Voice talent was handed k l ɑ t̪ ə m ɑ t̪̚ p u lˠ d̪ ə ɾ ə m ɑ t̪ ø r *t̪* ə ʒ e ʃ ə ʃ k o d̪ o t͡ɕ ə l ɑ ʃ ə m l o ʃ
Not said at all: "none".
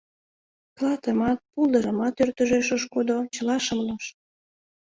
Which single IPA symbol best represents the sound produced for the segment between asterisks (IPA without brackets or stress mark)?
t̪